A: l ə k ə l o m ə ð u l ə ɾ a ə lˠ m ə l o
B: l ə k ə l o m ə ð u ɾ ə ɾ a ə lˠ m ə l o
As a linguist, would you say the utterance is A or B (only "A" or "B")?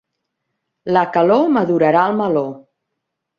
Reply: B